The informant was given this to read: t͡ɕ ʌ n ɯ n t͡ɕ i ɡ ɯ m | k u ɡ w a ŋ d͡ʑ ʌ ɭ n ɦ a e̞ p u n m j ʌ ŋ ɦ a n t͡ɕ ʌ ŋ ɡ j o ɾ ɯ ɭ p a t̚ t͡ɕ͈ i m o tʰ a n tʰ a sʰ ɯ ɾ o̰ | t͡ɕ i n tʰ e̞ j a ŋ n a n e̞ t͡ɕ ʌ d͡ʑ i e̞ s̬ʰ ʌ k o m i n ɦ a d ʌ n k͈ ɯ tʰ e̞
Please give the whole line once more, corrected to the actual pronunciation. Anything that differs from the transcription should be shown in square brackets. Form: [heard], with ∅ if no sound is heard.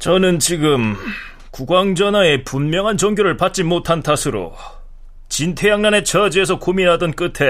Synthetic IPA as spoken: t͡ɕ ʌ n ɯ n t͡ɕ i ɡ ɯ m | k u ɡ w a ŋ d͡ʑ ʌ [∅] n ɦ a e̞ p u n m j ʌ ŋ ɦ a n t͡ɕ ʌ ŋ ɡ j o ɾ ɯ ɭ p a t̚ t͡ɕ͈ i m o tʰ a n tʰ a sʰ ɯ ɾ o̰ | t͡ɕ i n tʰ e̞ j a ŋ n a n e̞ t͡ɕ ʌ d͡ʑ i e̞ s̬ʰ ʌ k o m i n ɦ a d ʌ n k͈ ɯ tʰ e̞